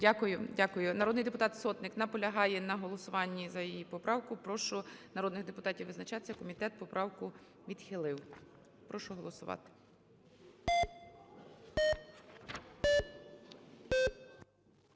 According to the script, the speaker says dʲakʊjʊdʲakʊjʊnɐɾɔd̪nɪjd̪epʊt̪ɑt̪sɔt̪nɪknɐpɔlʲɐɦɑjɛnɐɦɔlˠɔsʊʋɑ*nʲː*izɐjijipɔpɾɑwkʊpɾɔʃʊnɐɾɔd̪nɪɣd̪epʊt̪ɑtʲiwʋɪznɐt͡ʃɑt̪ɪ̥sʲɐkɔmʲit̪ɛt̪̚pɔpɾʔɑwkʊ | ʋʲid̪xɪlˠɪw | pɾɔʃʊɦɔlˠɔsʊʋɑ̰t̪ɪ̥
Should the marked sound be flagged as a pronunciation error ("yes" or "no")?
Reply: no